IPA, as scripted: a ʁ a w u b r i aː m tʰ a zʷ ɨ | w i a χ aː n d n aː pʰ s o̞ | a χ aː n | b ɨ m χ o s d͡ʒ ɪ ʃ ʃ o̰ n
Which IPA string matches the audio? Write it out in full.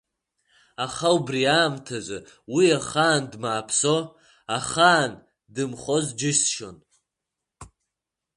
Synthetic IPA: a χ a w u b r i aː m tʰ a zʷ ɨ | w i a χ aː n d m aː pʰ s o̞ | a χ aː n | d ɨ m χ o z d͡ʒ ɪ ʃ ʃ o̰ n